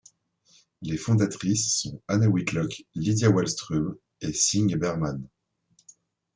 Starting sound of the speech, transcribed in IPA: l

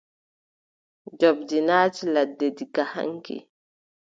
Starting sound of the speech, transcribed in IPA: d͡ʒ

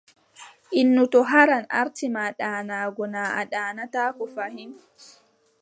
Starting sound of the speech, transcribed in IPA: ʔ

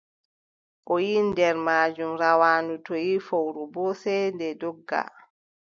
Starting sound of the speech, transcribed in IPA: ʔ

